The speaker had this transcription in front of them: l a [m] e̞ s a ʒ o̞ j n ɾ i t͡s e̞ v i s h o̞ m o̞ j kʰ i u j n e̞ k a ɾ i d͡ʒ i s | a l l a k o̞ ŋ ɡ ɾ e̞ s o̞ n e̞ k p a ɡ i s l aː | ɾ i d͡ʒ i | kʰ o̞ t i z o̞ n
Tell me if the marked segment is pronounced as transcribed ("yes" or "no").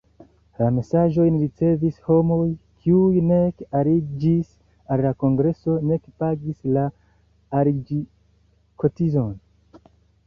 yes